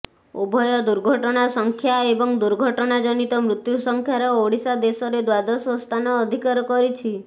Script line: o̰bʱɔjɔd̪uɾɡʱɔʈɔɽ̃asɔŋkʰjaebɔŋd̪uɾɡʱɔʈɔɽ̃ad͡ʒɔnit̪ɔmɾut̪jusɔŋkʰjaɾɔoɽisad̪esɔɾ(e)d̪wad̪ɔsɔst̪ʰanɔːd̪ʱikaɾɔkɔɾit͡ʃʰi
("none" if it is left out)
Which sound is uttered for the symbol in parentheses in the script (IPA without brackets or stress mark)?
e